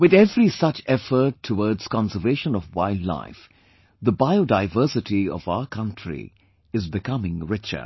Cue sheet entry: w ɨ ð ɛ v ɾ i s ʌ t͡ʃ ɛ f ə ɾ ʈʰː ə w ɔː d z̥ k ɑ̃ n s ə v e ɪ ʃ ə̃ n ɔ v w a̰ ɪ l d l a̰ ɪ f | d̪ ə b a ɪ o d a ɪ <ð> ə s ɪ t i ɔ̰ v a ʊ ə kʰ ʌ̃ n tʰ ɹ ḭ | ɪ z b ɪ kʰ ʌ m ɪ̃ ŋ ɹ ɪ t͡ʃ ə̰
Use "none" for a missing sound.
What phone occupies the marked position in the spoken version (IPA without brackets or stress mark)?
v